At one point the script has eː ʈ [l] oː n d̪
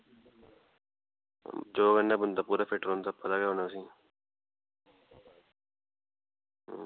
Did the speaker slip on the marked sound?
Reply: yes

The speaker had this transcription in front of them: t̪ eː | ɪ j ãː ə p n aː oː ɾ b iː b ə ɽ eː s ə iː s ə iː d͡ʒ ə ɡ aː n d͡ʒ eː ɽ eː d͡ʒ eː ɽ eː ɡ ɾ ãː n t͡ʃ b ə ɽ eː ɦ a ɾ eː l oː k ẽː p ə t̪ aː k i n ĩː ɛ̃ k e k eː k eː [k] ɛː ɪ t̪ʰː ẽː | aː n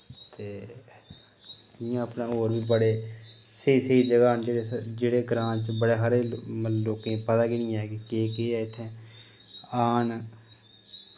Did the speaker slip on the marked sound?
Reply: yes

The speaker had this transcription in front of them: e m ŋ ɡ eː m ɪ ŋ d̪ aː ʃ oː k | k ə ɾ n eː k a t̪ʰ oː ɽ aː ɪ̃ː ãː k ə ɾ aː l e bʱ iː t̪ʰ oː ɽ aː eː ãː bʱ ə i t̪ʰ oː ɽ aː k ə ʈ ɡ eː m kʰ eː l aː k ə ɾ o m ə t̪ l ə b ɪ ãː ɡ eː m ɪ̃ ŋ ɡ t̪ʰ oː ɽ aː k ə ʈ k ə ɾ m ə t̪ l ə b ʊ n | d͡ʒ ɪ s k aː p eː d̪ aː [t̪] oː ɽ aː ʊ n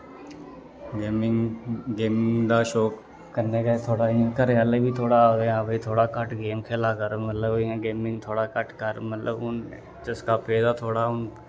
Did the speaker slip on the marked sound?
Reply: yes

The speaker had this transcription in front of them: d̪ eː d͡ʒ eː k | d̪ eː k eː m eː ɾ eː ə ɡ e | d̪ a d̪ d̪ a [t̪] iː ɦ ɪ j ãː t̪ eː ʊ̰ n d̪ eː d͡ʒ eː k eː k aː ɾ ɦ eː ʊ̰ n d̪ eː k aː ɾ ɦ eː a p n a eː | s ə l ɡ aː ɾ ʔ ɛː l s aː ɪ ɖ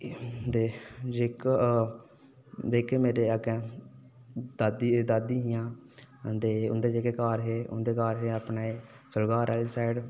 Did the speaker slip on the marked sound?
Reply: yes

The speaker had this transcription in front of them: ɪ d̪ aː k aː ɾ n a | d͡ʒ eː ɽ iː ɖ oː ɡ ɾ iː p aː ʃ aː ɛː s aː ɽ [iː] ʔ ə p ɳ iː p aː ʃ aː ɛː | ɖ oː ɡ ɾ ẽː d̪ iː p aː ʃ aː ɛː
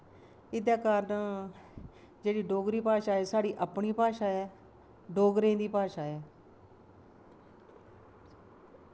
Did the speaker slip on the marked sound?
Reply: no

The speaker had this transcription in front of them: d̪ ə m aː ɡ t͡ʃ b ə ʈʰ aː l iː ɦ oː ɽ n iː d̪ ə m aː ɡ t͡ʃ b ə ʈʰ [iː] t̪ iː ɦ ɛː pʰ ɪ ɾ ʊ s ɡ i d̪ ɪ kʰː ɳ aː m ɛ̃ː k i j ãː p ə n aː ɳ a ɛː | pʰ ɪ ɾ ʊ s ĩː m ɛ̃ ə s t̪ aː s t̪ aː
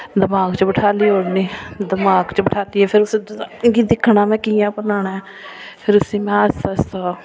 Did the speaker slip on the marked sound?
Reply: yes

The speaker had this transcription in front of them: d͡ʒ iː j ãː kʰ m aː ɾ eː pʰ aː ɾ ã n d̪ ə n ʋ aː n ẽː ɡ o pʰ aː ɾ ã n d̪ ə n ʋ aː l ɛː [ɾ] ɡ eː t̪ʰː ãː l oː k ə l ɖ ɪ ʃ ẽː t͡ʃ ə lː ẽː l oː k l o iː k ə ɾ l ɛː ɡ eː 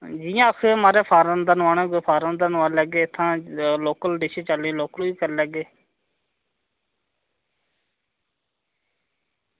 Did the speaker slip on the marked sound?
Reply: yes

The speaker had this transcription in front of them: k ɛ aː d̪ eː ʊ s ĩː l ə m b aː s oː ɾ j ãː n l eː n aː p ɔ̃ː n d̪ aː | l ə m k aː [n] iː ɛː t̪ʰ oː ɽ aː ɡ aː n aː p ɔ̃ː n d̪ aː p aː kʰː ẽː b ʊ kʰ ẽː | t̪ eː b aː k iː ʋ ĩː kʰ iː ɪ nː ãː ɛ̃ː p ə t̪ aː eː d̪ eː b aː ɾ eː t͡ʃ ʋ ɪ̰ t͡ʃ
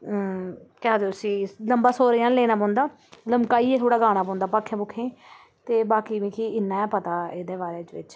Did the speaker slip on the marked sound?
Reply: yes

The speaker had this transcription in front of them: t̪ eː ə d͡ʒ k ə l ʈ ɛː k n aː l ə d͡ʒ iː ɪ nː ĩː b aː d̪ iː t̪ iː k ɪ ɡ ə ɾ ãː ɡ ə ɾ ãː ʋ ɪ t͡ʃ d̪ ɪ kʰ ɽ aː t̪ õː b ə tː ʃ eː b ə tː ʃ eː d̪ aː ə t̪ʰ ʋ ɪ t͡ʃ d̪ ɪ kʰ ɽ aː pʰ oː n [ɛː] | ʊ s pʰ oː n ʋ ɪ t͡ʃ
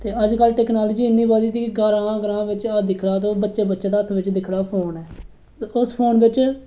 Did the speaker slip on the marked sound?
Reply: no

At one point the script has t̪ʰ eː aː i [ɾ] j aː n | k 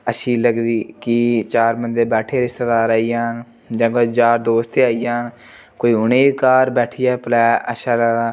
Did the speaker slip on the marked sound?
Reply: yes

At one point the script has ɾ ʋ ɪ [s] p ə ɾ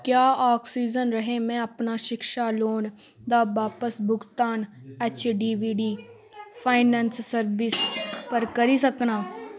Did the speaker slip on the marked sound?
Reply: no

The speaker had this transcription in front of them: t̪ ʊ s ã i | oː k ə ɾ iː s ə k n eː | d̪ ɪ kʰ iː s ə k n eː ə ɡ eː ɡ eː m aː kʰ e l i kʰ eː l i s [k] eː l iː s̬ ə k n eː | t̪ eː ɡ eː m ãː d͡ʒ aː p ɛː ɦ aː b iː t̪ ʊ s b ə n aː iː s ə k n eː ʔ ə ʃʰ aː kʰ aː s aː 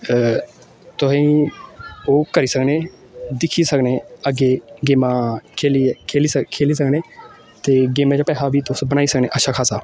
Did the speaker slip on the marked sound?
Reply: yes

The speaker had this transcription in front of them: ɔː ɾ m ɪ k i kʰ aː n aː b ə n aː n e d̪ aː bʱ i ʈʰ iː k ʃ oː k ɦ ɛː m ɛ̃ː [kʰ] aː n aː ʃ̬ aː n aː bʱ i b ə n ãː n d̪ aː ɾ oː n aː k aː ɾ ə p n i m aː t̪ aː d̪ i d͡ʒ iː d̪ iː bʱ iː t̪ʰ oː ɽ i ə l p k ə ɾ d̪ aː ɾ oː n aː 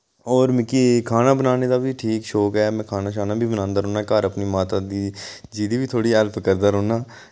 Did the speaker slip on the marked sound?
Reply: no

